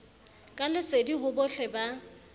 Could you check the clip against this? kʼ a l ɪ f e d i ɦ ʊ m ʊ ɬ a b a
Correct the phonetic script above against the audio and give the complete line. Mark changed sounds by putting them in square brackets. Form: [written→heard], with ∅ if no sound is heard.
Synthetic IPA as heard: kʼ a l ɪ [f→s] e d i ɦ ʊ [m→b] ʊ ɬ [a→ɛ] b a